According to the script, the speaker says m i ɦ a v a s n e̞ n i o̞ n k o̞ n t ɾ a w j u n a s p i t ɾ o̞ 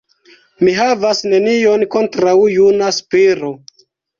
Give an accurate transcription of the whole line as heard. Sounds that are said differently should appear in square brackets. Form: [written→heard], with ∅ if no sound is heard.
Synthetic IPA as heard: m i ɦ a v a s n e̞ n i o̞ n k o̞ n t ɾ a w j u n a s p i [t→∅] ɾ o̞